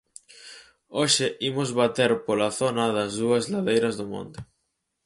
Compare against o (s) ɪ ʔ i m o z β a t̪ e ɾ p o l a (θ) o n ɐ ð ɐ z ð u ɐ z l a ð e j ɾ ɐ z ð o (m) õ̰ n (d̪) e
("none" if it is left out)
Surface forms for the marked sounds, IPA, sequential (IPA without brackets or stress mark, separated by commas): ʃ, θ, m, t̪